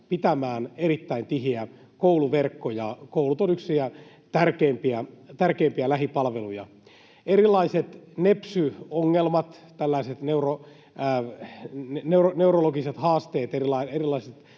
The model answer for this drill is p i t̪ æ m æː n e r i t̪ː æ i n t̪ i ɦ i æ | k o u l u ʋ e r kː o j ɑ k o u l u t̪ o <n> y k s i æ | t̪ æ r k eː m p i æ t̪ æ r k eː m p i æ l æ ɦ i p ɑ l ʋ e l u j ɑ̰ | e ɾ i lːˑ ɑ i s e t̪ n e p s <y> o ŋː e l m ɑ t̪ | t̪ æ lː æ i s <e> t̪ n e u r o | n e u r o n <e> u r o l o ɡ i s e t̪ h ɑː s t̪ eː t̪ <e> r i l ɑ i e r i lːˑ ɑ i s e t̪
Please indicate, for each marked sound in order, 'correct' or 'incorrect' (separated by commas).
correct, correct, correct, correct, correct